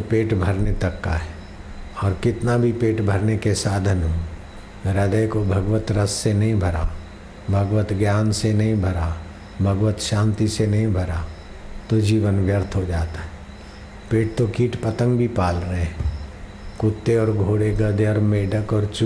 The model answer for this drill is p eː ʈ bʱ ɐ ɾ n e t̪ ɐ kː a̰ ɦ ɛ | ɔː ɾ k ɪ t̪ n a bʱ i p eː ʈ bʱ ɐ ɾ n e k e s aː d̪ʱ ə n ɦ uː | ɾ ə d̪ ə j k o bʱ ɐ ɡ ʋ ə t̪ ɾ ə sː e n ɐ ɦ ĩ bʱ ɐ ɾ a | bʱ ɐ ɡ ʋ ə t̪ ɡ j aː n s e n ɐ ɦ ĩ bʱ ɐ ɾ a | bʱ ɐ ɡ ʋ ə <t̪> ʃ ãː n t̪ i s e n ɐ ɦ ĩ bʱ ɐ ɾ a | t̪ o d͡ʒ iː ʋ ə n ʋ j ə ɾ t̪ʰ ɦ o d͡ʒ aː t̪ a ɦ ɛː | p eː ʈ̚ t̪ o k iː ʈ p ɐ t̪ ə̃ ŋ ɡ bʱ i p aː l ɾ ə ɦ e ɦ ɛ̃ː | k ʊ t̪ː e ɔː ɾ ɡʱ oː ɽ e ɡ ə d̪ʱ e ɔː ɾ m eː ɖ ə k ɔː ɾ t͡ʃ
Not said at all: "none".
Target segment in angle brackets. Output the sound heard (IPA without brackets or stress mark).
t̪